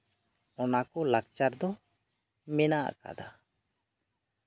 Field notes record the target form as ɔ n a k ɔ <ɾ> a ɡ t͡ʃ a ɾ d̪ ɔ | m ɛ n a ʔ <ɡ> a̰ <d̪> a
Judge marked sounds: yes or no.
no, no, yes

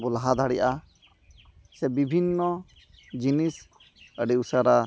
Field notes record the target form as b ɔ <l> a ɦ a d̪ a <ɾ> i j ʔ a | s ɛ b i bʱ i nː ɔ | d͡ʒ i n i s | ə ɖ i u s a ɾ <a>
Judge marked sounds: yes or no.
yes, no, yes

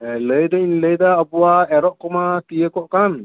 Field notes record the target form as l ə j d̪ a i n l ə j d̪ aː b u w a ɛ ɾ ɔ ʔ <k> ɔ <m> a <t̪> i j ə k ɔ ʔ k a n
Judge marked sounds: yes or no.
yes, yes, yes

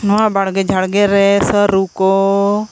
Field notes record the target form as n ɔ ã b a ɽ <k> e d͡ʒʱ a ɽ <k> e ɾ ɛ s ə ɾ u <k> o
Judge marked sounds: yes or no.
no, no, yes

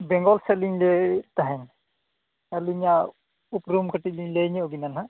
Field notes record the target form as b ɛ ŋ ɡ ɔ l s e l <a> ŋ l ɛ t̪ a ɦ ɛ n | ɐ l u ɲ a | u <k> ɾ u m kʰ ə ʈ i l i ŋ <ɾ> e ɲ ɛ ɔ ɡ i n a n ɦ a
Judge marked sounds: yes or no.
no, no, no

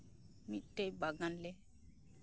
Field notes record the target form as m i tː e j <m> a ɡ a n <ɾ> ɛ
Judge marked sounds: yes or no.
no, no

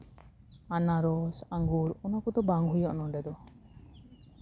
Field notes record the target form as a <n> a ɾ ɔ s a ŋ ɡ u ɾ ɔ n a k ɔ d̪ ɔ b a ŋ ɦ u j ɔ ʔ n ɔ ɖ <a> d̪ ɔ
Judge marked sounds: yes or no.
yes, no

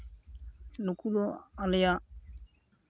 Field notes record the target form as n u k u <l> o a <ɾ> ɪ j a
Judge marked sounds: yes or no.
yes, no

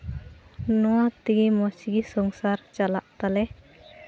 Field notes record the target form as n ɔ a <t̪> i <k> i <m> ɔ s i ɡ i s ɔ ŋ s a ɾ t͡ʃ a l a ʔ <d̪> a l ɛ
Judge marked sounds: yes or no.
yes, no, yes, no

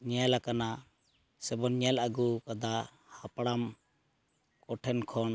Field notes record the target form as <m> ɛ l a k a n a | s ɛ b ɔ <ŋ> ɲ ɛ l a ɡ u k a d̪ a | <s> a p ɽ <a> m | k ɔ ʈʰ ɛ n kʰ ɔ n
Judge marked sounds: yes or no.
no, no, no, yes

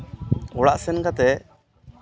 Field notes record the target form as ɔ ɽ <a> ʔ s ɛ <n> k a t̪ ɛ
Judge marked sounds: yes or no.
yes, yes

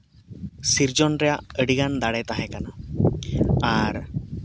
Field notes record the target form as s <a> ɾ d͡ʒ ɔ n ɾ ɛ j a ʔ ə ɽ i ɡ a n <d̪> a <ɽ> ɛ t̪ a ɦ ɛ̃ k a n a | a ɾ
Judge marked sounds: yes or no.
no, yes, yes

